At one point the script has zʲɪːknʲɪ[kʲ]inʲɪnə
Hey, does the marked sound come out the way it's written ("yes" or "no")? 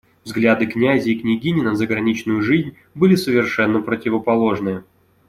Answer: no